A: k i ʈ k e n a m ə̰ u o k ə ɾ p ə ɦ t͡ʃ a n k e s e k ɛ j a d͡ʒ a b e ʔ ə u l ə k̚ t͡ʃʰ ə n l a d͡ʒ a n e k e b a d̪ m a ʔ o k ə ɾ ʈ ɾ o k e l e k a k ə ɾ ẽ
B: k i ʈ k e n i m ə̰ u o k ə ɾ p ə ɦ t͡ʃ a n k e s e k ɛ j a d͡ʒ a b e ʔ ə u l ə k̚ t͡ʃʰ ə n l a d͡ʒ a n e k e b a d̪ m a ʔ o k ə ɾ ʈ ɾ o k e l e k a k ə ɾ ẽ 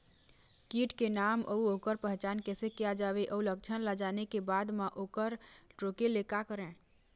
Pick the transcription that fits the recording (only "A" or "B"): A